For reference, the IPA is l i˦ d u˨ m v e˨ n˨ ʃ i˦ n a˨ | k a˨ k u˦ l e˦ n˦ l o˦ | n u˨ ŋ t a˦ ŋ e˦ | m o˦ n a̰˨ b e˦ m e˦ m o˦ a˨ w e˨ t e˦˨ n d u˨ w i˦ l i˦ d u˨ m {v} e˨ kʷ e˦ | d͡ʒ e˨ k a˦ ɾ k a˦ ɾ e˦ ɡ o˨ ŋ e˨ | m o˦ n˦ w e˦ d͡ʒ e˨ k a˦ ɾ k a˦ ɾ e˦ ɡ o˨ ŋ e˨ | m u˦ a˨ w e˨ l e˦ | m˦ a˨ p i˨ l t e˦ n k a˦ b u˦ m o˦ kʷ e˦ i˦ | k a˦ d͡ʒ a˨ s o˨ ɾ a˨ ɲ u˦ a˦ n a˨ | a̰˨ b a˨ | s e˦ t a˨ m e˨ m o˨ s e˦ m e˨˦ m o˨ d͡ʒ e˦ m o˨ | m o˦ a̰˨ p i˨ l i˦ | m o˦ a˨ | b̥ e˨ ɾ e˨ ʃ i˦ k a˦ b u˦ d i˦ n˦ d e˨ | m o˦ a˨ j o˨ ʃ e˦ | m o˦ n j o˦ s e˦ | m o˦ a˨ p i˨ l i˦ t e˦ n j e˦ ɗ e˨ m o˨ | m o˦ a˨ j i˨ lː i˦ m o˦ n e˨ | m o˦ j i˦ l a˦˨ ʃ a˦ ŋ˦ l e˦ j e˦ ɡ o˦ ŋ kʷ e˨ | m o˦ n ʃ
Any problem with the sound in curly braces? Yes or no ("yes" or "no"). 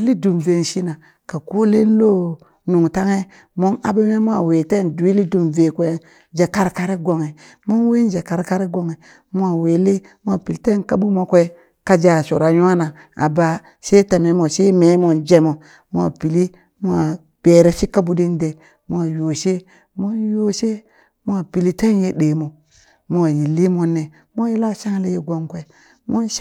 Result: no